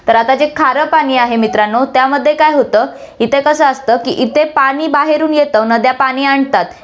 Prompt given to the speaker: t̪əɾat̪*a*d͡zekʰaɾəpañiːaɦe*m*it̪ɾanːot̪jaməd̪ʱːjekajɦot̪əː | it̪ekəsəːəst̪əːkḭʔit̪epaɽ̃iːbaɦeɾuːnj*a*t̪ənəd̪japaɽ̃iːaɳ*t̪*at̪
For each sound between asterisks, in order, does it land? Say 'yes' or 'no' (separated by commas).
yes, yes, no, yes